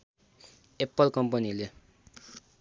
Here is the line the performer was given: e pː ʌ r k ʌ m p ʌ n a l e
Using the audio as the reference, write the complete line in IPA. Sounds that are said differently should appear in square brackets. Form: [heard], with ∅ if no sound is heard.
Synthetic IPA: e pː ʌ [l] k ʌ m p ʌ n [i] l e